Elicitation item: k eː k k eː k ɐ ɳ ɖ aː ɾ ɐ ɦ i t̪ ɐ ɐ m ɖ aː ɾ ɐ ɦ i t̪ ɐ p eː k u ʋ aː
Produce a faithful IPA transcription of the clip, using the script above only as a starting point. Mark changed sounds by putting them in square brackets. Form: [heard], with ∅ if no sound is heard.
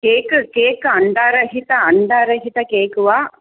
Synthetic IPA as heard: k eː k k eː k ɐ ɳ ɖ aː ɾ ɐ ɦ i t̪ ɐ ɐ [ɳ] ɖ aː ɾ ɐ ɦ i t̪ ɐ [k] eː k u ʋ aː